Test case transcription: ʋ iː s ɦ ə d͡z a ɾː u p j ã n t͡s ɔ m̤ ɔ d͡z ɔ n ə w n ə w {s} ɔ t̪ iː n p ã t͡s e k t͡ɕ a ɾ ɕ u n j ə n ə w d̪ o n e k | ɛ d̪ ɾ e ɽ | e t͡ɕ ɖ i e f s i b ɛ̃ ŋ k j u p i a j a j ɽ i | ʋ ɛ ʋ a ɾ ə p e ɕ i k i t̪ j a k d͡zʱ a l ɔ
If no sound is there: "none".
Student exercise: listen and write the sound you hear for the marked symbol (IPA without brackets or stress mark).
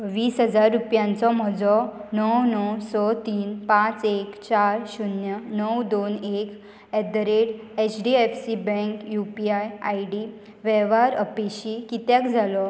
s